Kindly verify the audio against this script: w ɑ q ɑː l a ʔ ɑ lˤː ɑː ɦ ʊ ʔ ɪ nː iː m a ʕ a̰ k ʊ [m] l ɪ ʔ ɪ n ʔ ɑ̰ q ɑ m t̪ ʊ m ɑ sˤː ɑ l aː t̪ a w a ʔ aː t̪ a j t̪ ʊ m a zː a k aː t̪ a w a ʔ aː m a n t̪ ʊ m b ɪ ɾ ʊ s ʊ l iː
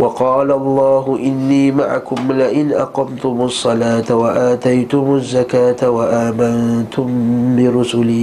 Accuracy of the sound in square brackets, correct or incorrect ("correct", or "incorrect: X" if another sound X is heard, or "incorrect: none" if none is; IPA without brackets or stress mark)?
correct